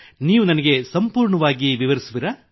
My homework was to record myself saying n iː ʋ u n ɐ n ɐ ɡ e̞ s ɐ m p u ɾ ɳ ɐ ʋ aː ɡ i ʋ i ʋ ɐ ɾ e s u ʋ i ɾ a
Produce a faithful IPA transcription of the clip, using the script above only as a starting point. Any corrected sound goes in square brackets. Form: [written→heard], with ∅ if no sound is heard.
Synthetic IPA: n iː ʋ u n ɐ n ɐ ɡ e̞ s ɐ m p [u→uː] ɾ ɳ ɐ ʋ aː ɡ i ʋ i ʋ ɐ ɾ [e→i] s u ʋ i ɾ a